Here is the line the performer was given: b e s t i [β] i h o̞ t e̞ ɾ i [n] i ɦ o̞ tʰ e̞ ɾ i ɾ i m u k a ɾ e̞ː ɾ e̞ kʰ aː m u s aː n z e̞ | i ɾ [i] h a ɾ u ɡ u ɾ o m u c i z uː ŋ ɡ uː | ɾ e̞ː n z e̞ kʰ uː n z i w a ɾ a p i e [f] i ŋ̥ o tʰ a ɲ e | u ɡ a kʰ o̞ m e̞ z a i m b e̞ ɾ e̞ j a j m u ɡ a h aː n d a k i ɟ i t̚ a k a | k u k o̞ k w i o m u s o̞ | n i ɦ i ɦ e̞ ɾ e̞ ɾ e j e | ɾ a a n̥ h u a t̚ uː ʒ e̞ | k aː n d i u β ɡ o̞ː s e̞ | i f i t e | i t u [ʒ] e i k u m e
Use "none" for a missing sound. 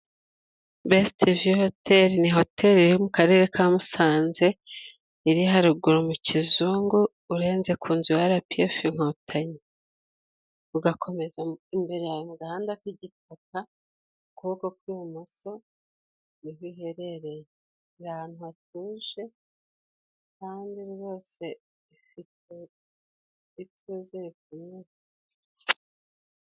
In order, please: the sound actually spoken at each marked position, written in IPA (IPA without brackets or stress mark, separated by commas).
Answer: v, n, i, f, z